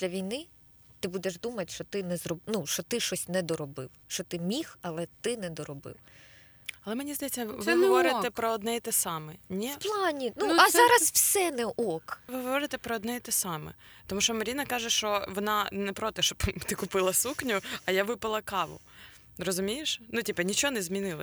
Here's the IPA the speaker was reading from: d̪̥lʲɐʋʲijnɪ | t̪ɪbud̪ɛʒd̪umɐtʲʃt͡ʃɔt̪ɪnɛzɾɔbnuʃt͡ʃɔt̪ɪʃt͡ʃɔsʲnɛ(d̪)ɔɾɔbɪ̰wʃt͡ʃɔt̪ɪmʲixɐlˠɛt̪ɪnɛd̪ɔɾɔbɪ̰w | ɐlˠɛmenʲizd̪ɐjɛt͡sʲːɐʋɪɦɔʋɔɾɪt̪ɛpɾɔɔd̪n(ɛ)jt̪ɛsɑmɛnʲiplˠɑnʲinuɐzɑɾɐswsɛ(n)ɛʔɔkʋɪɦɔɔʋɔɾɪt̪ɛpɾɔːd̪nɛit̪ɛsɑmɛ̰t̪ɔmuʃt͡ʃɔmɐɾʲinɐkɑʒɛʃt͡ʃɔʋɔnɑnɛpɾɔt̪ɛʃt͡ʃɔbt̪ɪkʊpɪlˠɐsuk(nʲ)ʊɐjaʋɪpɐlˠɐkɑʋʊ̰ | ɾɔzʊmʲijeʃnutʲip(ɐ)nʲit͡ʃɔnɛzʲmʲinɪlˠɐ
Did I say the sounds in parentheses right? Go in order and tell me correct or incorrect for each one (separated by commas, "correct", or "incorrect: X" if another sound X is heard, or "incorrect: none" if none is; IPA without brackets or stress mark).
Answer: correct, correct, correct, correct, correct